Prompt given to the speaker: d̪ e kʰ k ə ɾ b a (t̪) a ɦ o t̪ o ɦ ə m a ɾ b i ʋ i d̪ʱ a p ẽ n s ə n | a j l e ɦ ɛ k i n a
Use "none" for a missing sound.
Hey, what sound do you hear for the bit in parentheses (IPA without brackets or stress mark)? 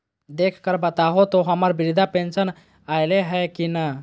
t̪